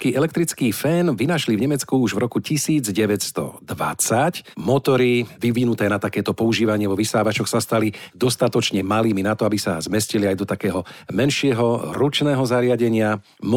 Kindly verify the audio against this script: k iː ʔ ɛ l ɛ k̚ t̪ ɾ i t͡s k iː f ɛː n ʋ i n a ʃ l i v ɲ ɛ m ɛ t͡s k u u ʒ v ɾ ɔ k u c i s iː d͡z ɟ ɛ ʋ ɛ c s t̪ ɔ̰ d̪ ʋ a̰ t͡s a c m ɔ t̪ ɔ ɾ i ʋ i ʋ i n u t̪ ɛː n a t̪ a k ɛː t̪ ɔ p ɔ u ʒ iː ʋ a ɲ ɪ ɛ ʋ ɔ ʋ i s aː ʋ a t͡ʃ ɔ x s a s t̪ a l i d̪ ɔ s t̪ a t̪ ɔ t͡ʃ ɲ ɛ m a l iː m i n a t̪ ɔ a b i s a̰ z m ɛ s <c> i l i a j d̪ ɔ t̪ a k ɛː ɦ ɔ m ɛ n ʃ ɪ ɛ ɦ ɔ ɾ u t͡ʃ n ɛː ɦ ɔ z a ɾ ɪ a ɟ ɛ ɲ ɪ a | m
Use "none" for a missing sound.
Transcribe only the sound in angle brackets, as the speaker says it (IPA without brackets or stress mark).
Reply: c